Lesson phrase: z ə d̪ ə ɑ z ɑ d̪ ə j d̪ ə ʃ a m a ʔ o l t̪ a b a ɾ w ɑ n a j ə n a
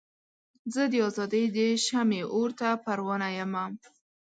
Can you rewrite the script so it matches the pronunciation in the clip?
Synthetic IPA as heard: z ə d̪ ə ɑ z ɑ d̪ ə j d̪ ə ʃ a m e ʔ o ɾ t̪ a p a ɾ w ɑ n a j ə m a